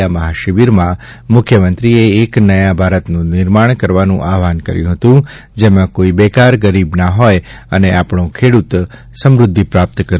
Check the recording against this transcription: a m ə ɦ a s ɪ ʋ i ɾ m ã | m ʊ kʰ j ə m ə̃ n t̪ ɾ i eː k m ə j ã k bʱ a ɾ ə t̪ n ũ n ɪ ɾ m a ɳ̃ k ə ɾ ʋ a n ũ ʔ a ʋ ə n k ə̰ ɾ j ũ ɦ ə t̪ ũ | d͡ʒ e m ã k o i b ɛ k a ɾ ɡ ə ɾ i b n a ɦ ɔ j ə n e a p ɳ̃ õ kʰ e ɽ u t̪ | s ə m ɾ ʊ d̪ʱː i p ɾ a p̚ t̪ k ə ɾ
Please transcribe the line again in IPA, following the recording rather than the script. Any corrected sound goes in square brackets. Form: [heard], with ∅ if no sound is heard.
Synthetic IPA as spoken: a m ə ɦ a [ʃ] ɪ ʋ i ɾ m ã | m ʊ kʰ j ə m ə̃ n t̪ ɾ i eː k [n] ə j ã [∅] bʱ a ɾ ə t̪ n ũ n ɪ ɾ m a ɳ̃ k ə ɾ ʋ a n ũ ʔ a ʋ [a] n k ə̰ ɾ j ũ ɦ ə t̪ ũ | d͡ʒ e m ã k o i b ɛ k a ɾ ɡ ə ɾ i b n a ɦ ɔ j ə n e a p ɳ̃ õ kʰ e ɽ u t̪ | s ə m ɾ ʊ d̪ʱː i p ɾ a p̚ t̪ k ə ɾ